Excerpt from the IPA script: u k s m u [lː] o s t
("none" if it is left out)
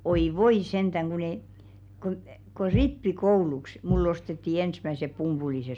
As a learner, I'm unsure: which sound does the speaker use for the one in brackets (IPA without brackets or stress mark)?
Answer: lː